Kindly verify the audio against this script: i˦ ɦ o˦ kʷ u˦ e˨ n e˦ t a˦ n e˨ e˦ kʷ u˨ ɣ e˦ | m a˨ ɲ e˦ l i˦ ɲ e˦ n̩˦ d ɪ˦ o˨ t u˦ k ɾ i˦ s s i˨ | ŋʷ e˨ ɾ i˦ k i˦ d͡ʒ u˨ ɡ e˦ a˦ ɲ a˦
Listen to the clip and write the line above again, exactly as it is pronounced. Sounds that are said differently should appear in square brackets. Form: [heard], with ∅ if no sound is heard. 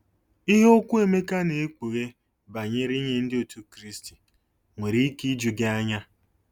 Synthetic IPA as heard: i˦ ɦ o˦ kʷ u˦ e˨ [m] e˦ [k] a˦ n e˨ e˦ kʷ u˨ ɣ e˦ | [b] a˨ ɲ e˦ [ɾ] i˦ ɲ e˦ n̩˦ d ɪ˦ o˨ t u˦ k ɾ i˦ s [t] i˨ | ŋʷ e˨ ɾ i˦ k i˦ d͡ʒ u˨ ɡ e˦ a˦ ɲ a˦